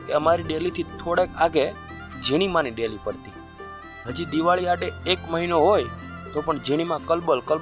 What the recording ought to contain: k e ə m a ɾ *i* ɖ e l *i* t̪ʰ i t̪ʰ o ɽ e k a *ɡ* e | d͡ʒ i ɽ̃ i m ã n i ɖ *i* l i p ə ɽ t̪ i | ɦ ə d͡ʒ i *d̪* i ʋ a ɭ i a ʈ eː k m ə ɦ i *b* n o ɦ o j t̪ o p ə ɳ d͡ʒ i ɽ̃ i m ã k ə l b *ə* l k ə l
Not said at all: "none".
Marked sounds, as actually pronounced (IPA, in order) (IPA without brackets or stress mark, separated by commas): i, i, ɡ, e, d̪, none, ə